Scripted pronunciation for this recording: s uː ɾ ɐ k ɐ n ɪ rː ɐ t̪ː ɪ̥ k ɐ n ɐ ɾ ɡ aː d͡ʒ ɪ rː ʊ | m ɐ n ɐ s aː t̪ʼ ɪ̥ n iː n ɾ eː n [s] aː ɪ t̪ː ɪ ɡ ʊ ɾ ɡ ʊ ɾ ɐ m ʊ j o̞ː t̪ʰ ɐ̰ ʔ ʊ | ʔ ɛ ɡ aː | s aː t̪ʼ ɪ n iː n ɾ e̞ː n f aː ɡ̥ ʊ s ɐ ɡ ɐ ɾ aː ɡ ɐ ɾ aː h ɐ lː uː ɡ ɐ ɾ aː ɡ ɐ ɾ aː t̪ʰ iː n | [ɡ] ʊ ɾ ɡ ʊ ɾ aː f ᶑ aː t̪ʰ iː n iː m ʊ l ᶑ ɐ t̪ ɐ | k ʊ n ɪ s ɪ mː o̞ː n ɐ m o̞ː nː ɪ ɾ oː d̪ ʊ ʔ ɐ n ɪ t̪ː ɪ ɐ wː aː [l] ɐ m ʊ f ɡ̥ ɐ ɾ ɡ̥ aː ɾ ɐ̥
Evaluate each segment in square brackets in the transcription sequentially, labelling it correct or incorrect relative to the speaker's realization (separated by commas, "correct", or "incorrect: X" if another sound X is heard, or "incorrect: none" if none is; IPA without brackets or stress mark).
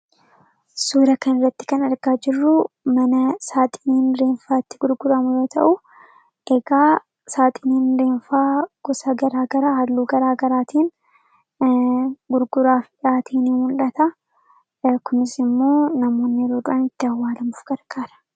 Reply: incorrect: f, correct, correct